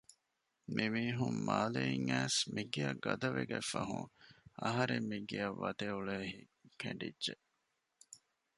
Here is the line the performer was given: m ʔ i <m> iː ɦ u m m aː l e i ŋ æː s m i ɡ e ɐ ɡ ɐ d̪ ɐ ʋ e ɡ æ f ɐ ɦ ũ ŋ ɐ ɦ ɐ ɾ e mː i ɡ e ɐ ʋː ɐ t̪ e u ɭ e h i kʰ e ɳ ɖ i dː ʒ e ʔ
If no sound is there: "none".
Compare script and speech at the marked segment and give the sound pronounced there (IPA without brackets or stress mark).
m